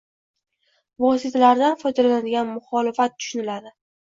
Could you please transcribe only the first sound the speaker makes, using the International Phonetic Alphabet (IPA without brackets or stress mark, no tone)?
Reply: v